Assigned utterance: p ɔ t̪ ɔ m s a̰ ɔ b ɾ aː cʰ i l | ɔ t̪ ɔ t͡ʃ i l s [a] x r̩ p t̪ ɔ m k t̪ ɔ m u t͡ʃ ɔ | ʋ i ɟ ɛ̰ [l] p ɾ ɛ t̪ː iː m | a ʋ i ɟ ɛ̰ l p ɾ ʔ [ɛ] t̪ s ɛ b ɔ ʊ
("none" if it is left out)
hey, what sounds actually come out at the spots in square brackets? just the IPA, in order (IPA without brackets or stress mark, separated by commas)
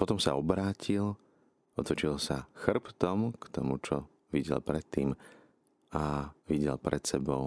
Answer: a, l, ɛ